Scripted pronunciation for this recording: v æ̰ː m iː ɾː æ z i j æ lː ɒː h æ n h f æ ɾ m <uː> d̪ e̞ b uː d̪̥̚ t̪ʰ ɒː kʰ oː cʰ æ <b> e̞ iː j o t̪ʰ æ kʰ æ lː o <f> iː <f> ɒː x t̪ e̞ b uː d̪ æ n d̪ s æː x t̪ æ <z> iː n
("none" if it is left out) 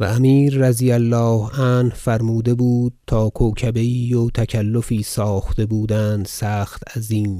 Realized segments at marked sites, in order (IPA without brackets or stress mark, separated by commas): uː, b, f, s, z